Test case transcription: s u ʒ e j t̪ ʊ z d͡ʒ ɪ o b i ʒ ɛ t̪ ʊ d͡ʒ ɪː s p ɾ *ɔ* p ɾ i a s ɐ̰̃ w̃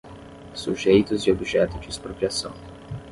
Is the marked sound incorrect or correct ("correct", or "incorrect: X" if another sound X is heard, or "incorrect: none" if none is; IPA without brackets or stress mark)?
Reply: incorrect: o